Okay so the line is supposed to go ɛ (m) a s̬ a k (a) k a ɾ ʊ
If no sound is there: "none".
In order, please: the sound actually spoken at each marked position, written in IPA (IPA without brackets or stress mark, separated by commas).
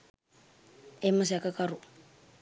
m, a